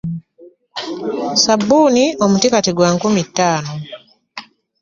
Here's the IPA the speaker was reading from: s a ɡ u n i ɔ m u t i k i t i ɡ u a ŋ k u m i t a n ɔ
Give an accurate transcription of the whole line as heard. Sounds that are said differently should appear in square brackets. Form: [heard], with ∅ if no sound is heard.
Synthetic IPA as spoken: s a [b] u n i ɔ m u t i k [a] t i ɡ [w] a ŋ k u m i t a n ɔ